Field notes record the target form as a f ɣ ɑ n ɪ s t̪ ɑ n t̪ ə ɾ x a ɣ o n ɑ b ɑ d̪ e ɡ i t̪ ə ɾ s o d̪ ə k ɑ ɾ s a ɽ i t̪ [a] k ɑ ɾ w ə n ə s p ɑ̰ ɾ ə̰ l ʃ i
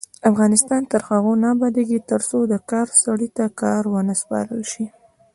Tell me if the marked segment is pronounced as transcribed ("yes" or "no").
yes